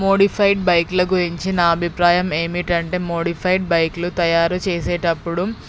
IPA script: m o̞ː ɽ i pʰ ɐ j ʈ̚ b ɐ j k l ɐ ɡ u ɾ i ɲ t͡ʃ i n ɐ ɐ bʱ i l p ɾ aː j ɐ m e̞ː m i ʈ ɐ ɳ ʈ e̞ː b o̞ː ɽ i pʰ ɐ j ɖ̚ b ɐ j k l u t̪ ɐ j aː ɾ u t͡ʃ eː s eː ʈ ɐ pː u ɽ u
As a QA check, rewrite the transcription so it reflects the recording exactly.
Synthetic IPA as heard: m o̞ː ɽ i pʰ ɐ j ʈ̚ b ɐ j k l ɐ ɡ u ɾ i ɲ t͡ʃ i n ɐ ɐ bʱ i p ɾ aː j ɐ m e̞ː m i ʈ ɐ ɳ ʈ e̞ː m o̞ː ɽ i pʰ ɐ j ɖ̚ b ɐ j k l u t̪ ɐ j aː ɾ u t͡ʃ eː s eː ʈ ɐ pː u ɽ u